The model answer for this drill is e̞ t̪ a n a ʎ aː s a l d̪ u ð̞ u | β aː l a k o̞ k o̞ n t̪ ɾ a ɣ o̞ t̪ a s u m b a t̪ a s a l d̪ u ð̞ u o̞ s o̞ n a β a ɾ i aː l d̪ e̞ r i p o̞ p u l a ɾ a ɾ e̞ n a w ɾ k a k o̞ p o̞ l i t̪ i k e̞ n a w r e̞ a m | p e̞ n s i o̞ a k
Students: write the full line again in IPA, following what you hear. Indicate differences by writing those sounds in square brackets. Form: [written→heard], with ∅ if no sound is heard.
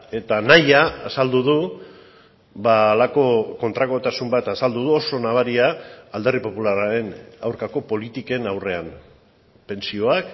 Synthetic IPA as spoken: e̞ t̪ a n a [ʎ→j] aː s a l d̪ u ð̞ u | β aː l a k o̞ k o̞ n t̪ ɾ a ɣ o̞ t̪ a s u m b a t̪ a s a l d̪ u ð̞ u o̞ s o̞ n a β a ɾ i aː l d̪ e̞ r i p o̞ p u l a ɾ a ɾ e̞ n a w ɾ k a k o̞ p o̞ l i t̪ i k e̞ n a w r e̞ a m | p e̞ n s i o̞ a k